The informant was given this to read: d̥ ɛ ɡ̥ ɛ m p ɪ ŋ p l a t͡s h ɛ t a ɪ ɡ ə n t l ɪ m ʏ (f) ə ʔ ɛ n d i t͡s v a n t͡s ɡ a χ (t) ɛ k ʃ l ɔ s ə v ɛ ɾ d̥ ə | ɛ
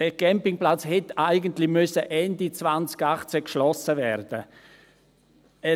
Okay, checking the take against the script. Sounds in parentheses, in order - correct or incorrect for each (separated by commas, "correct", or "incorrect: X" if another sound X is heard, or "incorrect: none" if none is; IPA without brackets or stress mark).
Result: incorrect: s, incorrect: t͡s